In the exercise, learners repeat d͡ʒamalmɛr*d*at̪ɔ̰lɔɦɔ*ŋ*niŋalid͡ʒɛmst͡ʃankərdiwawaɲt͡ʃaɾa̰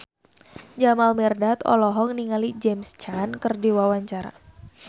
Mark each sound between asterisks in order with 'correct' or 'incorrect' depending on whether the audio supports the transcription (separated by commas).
correct, correct